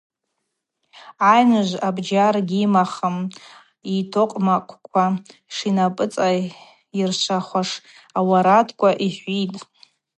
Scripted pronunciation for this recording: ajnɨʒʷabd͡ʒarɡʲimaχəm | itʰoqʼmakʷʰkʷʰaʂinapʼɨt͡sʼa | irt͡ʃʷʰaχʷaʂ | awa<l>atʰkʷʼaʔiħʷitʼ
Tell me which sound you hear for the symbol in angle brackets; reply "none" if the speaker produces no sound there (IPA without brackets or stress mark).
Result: ɾ